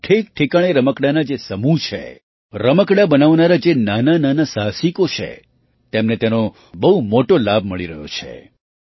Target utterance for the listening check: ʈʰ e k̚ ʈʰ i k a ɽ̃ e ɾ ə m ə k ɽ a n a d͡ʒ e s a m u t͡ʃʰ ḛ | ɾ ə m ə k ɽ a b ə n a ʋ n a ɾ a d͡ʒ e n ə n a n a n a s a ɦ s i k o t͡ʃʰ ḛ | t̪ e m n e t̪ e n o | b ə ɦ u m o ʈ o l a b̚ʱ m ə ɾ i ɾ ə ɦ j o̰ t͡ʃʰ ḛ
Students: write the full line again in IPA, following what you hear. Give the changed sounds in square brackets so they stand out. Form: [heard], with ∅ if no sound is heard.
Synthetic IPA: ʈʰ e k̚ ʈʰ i k a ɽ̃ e ɾ ə m ə k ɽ a n a d͡ʒ e s [ə] m u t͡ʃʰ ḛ | ɾ ə m ə k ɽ a b ə n a ʋ n a ɾ a d͡ʒ e n [a] n a n a n a s a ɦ s i k o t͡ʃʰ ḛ | t̪ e m n e t̪ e n o | b ə ɦ u m o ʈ o l a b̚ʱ m ə [ɭ] i ɾ ə ɦ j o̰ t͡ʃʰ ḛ